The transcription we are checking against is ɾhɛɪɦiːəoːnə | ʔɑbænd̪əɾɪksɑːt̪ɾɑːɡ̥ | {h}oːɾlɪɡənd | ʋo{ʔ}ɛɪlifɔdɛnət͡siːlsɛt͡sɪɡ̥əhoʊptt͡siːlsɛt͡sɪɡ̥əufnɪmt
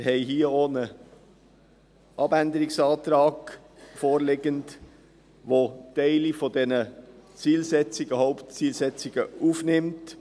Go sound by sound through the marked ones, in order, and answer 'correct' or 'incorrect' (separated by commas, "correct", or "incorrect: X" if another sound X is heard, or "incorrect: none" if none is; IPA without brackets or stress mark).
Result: incorrect: f, incorrect: t